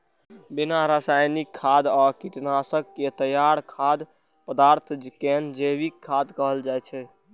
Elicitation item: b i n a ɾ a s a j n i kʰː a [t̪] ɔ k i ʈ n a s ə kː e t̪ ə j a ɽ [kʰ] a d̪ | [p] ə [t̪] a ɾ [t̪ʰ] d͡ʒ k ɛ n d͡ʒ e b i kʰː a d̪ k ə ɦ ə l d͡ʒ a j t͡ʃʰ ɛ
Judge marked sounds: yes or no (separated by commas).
no, yes, yes, no, yes